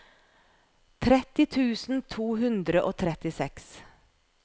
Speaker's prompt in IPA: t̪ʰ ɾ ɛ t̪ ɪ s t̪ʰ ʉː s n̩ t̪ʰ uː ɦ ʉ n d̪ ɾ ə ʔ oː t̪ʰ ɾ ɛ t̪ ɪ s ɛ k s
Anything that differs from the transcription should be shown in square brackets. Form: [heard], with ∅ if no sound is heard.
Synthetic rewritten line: t̪ʰ ɾ ɛ t̪ ɪ [∅] t̪ʰ ʉː s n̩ t̪ʰ uː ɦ ʉ n d̪ ɾ ə ʔ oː t̪ʰ ɾ ɛ t̪ ɪ s ɛ k s